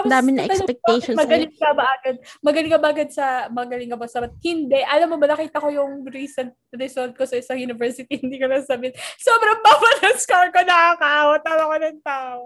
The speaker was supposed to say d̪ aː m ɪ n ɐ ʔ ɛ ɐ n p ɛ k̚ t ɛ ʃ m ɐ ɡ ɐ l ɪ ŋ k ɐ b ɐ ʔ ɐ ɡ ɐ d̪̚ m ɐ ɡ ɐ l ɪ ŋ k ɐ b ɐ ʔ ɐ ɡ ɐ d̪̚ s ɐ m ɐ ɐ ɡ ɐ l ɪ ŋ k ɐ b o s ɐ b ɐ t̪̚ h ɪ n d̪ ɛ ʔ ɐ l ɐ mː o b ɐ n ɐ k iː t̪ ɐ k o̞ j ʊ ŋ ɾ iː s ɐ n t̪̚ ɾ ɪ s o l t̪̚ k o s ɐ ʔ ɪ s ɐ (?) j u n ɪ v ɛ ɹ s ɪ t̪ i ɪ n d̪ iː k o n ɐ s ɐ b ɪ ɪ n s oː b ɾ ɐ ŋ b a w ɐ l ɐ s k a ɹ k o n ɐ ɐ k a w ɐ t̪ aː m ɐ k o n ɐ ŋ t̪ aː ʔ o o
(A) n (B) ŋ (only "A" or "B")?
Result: B